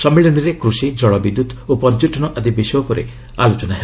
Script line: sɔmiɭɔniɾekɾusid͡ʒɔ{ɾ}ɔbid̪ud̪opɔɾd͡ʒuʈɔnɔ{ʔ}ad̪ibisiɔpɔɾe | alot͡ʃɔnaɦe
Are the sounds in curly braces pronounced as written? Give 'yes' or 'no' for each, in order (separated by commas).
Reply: no, yes